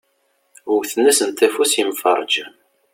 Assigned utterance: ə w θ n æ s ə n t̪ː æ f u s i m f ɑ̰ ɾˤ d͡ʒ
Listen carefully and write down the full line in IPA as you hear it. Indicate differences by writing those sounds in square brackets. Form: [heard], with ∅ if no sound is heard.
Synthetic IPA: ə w θ n æ s ə n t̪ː æ f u s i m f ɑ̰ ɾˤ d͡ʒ